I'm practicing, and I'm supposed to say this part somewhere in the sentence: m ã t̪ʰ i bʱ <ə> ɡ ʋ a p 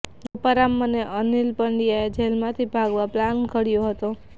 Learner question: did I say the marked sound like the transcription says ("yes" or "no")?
no